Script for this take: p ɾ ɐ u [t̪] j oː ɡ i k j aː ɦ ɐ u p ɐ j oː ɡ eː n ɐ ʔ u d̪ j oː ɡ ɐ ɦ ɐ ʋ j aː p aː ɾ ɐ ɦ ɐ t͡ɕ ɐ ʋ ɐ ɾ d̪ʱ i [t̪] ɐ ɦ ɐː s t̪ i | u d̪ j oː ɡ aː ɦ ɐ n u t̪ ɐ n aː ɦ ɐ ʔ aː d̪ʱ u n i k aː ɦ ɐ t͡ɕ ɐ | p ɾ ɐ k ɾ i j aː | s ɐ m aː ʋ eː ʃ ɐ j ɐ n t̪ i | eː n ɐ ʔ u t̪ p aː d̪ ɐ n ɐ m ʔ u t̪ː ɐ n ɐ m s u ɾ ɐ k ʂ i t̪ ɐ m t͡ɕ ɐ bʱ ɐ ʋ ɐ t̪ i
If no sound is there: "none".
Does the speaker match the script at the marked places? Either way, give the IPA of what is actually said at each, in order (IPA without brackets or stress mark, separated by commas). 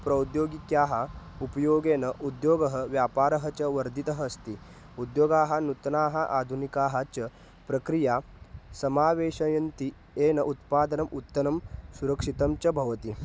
d̪, t̪